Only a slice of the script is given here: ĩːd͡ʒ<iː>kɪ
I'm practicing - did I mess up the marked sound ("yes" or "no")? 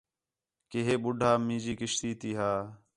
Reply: no